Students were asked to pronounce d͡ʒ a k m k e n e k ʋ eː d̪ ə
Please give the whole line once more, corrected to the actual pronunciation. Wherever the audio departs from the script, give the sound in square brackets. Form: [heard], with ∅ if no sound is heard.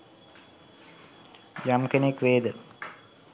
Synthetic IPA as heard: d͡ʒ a [∅] m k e n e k ʋ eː d̪ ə